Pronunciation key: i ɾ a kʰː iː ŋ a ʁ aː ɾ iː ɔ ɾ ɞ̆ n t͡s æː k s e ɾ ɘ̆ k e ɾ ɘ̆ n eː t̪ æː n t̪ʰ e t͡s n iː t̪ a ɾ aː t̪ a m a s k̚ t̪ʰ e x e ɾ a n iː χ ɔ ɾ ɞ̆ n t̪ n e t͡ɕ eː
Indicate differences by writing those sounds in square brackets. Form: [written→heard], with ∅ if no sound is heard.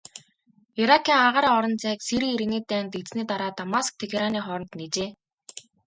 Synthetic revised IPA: i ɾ a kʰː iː ŋ a ʁ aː ɾ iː ɔ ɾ ɞ̆ n t͡s æː k s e ɾ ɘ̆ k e ɾ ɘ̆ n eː t̪ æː n [t̪ʰ→t̪] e t͡s n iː t̪ a ɾ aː t̪ a m a s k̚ t̪ʰ e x e ɾ a n iː χ ɔ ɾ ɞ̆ n t̪ n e t͡ɕ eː